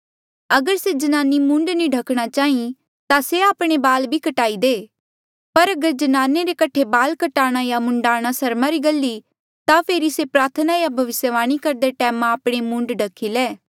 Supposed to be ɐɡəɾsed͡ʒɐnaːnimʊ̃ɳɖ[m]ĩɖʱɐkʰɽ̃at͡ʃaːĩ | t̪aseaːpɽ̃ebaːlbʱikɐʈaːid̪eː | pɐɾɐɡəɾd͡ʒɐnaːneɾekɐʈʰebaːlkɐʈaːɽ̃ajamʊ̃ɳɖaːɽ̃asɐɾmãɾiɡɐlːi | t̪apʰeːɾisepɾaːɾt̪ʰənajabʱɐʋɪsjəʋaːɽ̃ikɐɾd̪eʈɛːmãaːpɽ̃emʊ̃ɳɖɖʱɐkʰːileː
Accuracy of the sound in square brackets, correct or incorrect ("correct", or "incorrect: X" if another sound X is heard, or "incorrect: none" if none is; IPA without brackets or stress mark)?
incorrect: n